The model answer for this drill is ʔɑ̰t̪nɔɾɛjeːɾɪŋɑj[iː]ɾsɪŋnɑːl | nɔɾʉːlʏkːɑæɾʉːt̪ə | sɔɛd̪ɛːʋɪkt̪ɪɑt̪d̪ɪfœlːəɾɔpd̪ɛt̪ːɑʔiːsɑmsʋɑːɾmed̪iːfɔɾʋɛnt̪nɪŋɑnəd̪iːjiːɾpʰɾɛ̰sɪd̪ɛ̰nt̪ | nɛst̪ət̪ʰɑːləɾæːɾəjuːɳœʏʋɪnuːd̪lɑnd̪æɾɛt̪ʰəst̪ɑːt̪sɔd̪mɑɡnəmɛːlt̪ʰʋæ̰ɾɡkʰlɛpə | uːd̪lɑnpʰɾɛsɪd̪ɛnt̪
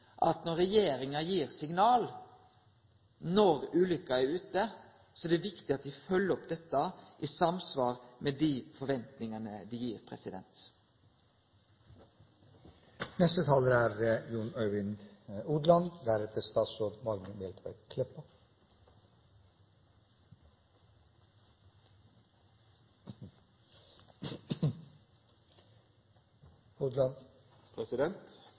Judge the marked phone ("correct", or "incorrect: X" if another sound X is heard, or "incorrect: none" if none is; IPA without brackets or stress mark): correct